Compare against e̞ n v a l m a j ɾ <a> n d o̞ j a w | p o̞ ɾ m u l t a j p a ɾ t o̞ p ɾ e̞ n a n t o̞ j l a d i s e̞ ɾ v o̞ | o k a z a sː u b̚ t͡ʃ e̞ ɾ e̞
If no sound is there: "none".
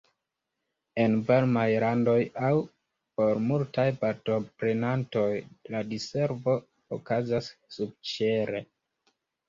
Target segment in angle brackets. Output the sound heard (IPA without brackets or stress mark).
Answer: a